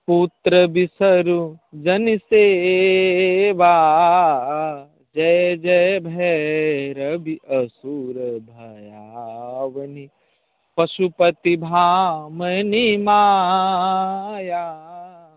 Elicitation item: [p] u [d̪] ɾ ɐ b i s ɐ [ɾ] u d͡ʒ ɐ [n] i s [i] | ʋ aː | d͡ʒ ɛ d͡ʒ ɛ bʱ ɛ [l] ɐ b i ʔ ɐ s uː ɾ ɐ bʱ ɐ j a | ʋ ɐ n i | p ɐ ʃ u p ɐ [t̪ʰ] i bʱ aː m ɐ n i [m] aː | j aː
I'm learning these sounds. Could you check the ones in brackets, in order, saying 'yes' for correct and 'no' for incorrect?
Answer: yes, no, yes, yes, no, no, no, yes

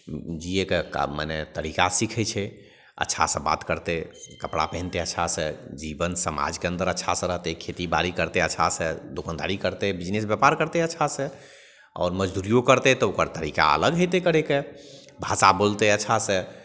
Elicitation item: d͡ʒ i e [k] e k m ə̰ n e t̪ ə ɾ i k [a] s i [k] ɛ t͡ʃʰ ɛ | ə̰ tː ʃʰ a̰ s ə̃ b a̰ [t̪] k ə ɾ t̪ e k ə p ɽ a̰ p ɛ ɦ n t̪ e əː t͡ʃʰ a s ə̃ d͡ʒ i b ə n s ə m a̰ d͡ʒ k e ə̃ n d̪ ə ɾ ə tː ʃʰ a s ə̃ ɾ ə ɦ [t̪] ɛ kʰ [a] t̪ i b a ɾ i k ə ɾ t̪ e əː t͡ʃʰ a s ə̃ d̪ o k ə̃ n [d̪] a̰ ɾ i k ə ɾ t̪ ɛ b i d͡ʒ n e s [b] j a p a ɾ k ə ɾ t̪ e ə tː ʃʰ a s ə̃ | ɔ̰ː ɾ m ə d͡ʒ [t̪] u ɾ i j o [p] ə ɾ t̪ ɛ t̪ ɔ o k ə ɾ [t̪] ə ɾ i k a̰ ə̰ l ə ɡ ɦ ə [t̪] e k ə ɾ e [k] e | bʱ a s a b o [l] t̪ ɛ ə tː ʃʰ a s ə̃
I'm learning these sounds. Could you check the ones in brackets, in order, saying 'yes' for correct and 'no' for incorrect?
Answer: yes, yes, no, yes, yes, no, yes, yes, no, no, yes, yes, yes, yes

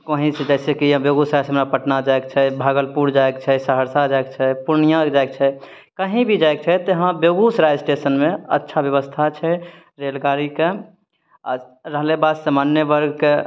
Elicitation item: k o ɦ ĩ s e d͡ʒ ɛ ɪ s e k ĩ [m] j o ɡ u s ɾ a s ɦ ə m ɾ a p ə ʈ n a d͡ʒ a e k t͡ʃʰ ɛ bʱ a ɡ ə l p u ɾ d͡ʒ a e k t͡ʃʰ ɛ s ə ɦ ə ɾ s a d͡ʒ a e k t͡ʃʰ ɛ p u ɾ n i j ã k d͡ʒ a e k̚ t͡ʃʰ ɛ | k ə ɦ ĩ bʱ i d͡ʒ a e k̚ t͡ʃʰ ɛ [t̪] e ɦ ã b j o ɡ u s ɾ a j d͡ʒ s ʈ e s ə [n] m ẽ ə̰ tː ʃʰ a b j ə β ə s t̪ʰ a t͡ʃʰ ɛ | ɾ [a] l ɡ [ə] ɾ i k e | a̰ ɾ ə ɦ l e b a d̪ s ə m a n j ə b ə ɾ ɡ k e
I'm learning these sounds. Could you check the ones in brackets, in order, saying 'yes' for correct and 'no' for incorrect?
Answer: no, yes, yes, no, no

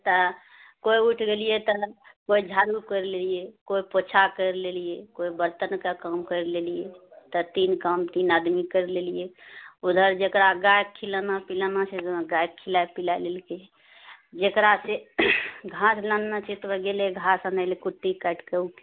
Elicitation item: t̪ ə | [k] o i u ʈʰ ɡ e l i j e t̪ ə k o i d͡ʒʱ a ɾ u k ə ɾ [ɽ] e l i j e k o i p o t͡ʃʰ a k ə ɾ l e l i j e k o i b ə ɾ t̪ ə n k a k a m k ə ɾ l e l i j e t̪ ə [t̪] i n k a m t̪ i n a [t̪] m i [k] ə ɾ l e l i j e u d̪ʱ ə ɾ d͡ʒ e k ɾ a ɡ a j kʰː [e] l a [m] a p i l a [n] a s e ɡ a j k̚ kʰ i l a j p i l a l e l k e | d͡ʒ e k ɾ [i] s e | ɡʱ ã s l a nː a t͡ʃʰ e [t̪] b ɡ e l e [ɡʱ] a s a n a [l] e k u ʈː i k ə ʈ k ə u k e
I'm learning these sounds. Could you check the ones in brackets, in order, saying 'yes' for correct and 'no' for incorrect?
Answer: yes, no, yes, no, yes, no, no, yes, no, yes, yes, yes

